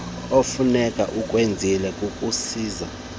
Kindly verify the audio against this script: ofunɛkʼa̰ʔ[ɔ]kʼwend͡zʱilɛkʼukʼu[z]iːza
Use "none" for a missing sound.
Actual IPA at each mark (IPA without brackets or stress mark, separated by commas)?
u, s